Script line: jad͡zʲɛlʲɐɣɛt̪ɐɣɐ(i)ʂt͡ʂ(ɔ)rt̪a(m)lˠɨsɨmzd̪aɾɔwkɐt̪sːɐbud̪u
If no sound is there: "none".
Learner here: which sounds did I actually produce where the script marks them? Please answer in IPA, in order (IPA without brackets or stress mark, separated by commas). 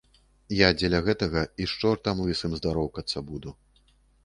i, ɔ, m